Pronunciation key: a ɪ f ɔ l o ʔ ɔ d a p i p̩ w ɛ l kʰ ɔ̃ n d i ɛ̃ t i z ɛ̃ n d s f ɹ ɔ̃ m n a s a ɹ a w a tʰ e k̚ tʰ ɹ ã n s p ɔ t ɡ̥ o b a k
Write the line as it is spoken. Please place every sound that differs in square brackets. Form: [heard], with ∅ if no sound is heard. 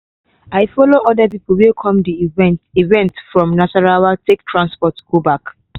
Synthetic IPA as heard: a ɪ f ɔ l o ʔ ɔ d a p i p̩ w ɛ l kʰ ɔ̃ [m] d i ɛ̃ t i [v] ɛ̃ n [t] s f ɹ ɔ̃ m n a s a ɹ a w a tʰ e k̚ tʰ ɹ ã n s p ɔ t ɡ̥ o b a k